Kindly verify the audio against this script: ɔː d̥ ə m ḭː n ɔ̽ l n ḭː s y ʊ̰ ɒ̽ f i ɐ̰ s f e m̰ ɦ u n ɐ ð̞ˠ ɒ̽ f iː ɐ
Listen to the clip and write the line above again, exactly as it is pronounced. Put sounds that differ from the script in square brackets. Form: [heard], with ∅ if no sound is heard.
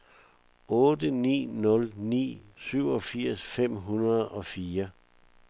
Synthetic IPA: ɔː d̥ ə [n] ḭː n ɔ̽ l n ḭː s y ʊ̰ ɒ̽ f i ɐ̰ s f e m̰ ɦ u n ɐ ð̞ˠ ɒ̽ f iː ɐ